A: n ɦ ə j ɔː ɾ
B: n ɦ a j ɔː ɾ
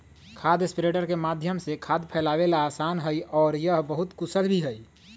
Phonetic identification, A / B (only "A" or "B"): A